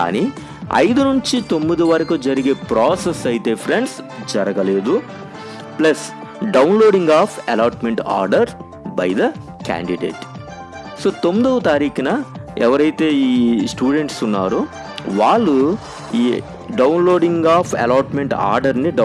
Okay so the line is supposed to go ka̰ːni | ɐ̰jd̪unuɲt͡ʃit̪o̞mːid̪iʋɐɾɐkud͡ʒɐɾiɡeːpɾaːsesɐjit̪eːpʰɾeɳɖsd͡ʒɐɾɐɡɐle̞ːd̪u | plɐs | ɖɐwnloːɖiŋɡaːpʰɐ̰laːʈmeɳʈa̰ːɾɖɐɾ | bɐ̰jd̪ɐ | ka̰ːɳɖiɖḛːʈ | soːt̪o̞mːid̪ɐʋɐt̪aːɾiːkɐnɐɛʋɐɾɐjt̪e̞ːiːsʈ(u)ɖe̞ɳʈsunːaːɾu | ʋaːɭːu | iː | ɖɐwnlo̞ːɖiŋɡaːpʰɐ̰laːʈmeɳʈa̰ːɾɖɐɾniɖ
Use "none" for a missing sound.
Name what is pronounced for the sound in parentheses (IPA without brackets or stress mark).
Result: uː